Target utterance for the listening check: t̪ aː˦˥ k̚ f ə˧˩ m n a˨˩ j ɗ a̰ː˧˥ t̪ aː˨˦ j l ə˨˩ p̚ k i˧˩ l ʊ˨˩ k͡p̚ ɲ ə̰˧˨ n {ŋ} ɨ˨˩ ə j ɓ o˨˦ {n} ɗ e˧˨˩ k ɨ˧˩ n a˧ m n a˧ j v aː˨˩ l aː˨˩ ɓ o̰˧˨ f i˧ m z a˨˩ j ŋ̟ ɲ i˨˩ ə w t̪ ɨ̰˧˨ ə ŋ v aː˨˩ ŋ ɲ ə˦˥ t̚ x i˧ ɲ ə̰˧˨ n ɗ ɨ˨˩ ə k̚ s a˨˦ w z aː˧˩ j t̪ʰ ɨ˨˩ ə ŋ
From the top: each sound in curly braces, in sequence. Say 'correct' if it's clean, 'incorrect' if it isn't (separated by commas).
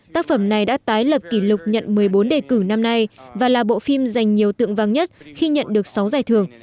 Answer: incorrect, correct